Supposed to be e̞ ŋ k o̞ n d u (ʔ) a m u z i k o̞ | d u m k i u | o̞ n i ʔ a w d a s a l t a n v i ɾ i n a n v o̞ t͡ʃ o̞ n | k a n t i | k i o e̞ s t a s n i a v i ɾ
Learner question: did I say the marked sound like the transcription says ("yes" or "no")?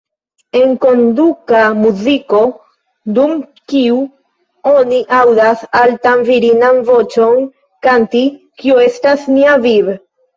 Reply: no